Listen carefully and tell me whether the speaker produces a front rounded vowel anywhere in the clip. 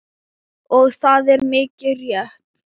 no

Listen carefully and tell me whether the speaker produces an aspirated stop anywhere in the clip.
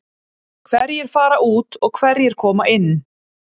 yes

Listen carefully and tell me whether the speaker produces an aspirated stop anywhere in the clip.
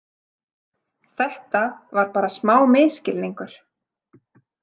no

